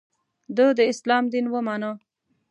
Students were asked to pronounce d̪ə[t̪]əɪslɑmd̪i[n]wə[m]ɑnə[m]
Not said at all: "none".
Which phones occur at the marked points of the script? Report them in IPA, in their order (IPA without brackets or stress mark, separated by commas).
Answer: d̪, n, m, none